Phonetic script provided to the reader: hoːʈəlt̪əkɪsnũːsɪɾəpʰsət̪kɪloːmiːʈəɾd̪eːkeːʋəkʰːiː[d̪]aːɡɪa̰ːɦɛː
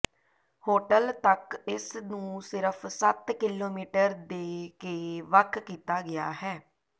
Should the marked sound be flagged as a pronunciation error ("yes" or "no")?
yes